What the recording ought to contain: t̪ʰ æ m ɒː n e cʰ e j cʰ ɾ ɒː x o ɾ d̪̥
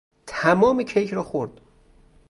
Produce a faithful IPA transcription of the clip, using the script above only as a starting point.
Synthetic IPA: t̪ʰ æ m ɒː m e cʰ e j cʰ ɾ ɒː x o ɾ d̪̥